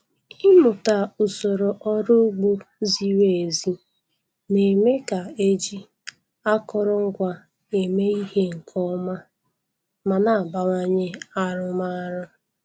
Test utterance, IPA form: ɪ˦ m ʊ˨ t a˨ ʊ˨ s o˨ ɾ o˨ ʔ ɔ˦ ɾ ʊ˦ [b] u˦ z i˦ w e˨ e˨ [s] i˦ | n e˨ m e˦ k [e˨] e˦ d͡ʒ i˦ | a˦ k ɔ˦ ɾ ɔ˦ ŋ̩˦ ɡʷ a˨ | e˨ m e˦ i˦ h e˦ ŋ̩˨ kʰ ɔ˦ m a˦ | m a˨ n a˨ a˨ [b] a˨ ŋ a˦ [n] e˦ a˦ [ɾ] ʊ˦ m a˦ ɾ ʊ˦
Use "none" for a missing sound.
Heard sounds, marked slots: ɡ͡b, z, a˨, b, ɲ, ɾ

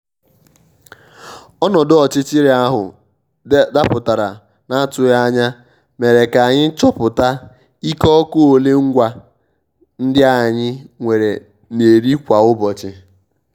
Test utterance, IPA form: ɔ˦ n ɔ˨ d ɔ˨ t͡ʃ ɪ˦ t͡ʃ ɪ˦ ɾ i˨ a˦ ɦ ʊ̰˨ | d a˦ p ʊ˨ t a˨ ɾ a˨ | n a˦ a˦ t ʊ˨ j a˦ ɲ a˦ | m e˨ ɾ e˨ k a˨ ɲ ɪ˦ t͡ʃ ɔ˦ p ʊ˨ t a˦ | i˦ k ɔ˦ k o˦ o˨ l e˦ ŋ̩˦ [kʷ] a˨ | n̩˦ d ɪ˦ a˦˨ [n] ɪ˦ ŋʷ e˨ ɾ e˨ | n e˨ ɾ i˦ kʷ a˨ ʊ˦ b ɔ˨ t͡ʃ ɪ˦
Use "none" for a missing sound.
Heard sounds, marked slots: ɡʷ, ɲ

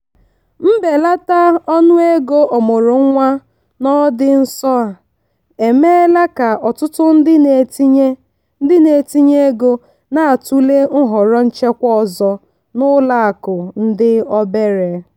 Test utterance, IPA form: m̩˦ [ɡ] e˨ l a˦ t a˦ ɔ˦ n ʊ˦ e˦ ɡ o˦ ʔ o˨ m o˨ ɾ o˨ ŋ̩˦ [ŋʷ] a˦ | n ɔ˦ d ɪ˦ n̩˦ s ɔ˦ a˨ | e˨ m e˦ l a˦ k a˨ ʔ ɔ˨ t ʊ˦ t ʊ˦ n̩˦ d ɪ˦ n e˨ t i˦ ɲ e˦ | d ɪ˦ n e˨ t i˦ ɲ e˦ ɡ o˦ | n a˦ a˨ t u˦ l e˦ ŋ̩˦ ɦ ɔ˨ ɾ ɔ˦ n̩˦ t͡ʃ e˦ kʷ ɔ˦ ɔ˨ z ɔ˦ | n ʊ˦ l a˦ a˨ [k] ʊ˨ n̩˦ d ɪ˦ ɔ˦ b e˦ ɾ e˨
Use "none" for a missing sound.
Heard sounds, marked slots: b, ŋʷ, k

